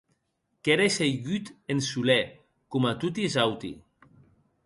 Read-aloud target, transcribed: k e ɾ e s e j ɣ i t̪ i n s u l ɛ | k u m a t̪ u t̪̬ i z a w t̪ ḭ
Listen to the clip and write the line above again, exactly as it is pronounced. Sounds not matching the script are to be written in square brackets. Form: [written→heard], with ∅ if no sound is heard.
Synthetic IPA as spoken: k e ɾ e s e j ɣ [i→y] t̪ [i→e] n s u l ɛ | k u m a t̪ u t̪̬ i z a w t̪ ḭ